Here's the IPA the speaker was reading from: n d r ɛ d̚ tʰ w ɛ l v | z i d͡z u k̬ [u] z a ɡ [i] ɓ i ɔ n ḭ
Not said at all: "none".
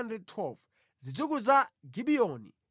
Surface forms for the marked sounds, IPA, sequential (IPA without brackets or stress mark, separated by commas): u, i